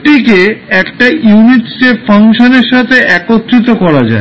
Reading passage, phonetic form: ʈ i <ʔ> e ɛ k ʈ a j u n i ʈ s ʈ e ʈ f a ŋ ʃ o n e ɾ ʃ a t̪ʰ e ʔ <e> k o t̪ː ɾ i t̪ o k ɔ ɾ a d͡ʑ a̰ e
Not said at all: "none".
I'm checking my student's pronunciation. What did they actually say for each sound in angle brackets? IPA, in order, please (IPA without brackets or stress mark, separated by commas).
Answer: k, ɛ